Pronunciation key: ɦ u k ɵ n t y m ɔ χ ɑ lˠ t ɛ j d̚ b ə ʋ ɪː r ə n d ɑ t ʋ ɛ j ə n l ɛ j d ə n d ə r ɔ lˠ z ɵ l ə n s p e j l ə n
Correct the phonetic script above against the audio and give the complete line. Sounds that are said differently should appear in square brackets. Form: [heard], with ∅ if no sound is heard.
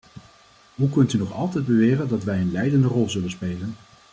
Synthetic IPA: ɦ u k ɵ n t y [n] ɔ χ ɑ lˠ t ɛ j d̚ b ə ʋ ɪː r ə n d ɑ t ʋ ɛ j ə n l ɛ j d ə n d ə r ɔ lˠ z ɵ l ə n s p e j l ə n